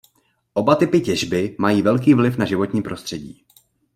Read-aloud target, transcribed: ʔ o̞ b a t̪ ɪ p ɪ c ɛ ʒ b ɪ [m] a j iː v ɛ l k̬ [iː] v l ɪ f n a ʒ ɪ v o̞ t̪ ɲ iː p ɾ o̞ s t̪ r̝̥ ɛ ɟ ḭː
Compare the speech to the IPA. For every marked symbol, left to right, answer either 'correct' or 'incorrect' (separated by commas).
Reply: correct, correct